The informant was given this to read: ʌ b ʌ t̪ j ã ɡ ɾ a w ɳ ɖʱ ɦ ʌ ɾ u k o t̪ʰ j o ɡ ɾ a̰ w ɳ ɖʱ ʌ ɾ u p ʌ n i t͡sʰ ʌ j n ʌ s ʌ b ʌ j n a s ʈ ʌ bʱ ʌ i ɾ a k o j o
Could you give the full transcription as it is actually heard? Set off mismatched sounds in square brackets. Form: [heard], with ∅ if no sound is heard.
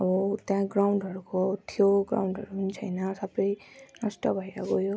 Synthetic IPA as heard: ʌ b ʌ t̪ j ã ɡ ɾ a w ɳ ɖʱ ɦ ʌ ɾ u k o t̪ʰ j o ɡ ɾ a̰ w ɳ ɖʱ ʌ ɾ u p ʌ n i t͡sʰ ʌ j n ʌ s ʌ b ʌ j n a s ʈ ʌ bʱ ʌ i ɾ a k o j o